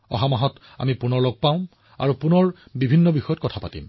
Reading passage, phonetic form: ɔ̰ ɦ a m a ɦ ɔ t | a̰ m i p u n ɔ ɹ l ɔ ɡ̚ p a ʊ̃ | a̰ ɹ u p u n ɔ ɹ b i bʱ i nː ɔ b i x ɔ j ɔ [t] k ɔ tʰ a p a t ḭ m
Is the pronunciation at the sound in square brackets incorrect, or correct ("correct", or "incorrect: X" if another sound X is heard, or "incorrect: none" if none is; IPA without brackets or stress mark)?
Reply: correct